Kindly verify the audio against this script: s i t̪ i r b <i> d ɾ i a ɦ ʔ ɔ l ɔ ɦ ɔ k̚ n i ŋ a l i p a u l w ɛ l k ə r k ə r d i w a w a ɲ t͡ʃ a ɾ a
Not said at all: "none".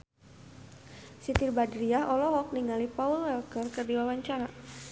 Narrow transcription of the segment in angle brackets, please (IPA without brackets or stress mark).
a